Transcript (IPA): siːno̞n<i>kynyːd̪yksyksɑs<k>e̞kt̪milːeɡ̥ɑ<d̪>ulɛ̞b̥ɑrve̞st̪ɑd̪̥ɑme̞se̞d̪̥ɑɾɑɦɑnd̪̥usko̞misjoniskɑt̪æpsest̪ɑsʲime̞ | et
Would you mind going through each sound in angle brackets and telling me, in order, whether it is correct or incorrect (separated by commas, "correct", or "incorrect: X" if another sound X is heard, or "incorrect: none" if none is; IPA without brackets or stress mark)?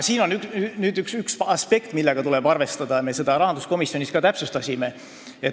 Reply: incorrect: y, incorrect: p, incorrect: t̪